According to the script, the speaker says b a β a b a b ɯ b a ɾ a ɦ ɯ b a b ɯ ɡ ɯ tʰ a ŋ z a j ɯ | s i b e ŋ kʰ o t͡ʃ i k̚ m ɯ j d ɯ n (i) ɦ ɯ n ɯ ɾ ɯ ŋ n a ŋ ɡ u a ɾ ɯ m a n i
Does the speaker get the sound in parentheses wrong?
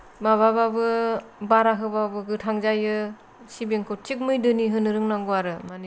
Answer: no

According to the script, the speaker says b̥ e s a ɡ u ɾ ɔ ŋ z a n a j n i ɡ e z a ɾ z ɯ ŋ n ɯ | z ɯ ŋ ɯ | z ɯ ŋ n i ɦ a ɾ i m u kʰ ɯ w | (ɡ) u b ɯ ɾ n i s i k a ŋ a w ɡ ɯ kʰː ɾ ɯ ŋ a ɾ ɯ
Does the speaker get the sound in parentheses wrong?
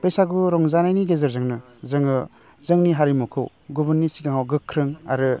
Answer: no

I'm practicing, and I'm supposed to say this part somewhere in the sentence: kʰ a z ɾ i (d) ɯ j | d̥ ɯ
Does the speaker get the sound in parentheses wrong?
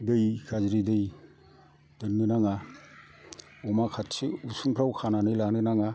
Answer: no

